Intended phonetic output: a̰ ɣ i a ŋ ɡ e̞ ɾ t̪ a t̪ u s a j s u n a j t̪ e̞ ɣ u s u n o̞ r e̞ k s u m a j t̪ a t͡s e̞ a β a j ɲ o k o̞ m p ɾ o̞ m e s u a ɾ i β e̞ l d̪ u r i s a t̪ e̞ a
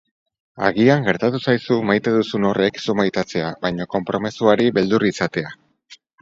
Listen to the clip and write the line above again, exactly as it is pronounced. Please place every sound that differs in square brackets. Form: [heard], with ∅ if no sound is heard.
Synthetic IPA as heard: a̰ ɣ i a ŋ ɡ e̞ ɾ t̪ a t̪ u s a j s u [m] a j t̪ e̞ [ð] u s u n o̞ r e̞ k s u m a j t̪ a t͡s e̞ a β a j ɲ o k o̞ m p ɾ o̞ m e s u a ɾ i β e̞ l d̪ u r i s a t̪ e̞ a